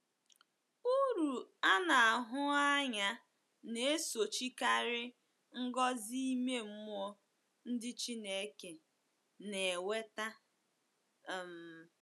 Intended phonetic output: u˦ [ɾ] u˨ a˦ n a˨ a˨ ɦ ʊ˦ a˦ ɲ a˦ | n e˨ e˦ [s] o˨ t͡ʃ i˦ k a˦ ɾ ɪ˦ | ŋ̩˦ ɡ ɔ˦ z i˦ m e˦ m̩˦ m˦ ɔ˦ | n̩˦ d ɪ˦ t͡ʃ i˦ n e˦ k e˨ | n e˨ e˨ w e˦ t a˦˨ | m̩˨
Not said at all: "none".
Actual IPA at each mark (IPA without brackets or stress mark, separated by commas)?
ɾ, s